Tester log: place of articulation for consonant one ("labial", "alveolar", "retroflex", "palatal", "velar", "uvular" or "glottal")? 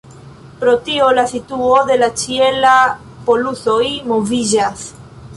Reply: labial